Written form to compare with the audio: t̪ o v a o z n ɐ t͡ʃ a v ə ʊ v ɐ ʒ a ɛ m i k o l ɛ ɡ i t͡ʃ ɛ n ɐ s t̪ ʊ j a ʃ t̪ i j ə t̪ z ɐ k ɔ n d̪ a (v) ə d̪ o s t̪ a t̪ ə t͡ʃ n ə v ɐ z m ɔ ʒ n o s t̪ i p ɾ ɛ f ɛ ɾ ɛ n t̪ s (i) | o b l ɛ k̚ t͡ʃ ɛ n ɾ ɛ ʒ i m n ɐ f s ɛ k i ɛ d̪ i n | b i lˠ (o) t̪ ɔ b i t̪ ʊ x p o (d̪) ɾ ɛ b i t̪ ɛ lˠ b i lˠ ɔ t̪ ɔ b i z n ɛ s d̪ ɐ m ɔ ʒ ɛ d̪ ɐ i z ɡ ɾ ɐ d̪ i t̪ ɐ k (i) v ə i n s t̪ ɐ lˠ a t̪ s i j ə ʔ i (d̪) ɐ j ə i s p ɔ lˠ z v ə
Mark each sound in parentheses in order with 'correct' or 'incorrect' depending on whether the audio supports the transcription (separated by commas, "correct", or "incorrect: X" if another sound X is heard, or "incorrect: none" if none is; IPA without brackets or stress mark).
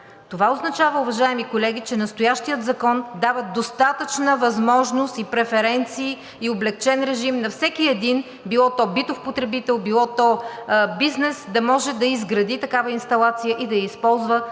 correct, incorrect: iː, incorrect: ɔ, incorrect: t̪, incorrect: a, correct